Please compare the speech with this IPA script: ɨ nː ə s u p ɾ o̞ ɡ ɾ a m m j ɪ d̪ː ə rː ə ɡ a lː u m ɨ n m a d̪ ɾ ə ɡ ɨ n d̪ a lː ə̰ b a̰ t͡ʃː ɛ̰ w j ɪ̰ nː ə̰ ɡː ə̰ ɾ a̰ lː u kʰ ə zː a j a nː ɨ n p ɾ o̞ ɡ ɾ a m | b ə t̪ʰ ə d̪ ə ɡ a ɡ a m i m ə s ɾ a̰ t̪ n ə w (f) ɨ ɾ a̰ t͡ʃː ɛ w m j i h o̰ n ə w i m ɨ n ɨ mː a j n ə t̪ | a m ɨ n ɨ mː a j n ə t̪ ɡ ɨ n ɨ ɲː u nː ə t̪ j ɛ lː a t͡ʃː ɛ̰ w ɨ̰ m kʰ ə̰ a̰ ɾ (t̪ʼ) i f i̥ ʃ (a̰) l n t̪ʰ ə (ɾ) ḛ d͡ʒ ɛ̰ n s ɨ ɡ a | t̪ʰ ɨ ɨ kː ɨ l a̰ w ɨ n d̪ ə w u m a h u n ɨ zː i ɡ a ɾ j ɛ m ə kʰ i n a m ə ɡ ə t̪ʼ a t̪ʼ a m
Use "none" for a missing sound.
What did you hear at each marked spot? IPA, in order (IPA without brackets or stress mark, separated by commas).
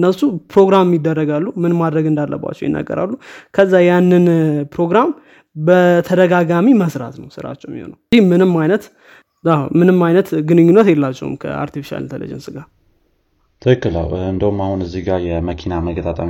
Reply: s, t̪, a̰, l